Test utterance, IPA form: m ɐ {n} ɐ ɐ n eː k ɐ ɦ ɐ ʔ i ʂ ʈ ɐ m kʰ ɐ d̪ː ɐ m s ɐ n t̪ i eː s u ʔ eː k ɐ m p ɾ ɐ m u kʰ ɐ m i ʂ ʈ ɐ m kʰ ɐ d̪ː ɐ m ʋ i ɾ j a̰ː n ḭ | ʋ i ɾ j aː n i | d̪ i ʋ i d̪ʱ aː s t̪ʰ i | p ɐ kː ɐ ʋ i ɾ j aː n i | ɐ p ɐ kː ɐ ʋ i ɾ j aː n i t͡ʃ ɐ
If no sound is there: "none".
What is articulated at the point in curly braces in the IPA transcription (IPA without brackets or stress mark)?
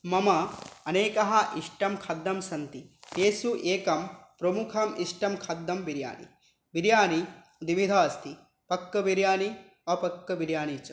m